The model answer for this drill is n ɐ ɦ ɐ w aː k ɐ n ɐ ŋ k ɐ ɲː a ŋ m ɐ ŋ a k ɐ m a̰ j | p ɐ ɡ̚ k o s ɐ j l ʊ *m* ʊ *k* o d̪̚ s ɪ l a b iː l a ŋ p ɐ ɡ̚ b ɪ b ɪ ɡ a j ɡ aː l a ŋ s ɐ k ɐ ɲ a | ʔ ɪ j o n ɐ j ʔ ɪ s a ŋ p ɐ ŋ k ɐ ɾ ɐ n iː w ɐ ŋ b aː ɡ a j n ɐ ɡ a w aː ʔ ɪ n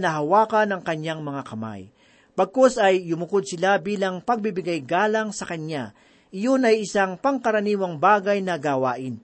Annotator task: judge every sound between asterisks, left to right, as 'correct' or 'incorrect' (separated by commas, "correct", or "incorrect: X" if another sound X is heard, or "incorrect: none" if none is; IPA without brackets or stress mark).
correct, correct